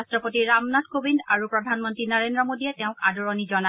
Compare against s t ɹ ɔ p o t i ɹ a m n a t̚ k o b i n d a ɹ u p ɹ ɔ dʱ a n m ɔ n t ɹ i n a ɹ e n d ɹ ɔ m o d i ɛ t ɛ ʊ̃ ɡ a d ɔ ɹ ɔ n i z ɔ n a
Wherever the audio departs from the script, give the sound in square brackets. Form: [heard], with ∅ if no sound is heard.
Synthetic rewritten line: s t ɹ ɔ p o t i ɹ a m n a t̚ k o b i n d a ɹ u p ɹ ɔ dʱ a n m ɔ n t ɹ i n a ɹ e n d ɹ ɔ m o d i ɛ t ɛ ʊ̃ [k] a d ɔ ɹ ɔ n i z ɔ n a